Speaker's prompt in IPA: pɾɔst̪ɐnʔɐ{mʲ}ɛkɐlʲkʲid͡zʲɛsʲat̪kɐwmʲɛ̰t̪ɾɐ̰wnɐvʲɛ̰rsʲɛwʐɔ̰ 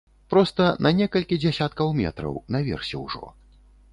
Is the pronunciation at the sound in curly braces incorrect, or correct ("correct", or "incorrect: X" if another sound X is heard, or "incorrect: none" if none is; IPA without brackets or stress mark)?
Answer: incorrect: nʲ